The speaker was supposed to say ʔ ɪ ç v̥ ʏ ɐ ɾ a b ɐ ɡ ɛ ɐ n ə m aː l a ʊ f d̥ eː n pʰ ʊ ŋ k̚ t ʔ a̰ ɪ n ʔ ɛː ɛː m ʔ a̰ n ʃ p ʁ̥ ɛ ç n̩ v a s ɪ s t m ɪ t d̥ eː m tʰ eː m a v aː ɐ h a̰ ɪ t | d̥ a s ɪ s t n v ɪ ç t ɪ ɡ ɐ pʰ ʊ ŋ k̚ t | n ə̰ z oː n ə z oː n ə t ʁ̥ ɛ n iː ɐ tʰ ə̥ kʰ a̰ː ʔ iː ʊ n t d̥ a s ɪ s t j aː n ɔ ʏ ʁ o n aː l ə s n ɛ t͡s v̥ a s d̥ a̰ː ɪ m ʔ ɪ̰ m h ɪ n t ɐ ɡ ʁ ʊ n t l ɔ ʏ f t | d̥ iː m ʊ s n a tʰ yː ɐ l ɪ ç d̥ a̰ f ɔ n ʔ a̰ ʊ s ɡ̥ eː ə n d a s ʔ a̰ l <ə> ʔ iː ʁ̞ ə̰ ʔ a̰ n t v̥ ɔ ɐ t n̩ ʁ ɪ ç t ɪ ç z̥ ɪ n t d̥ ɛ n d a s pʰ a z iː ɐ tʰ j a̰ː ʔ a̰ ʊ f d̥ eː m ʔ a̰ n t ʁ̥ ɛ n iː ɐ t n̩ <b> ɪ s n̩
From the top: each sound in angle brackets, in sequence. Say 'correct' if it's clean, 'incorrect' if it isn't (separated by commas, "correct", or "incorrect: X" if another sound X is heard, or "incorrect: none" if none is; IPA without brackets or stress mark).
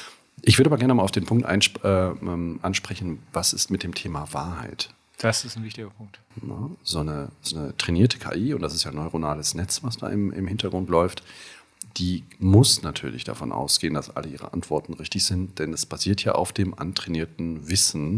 correct, incorrect: v